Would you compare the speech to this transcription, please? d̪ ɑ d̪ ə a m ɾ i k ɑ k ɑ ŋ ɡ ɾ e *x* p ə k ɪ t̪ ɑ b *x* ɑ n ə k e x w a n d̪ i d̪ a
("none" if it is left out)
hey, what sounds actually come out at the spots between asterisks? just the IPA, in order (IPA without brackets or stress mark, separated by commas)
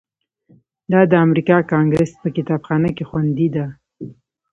s, x